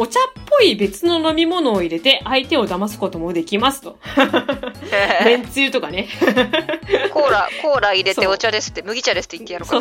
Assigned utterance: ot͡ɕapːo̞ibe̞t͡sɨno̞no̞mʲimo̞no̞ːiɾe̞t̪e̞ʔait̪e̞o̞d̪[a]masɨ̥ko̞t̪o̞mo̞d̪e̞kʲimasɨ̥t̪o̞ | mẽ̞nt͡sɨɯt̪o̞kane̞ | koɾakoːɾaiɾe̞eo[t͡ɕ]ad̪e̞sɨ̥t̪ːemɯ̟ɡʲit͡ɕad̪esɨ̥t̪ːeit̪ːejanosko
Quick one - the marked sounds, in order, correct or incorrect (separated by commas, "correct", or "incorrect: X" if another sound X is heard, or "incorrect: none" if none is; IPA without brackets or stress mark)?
correct, correct